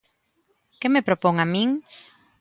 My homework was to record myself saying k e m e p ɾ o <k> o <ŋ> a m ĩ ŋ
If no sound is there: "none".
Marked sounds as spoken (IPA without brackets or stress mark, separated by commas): p, ŋ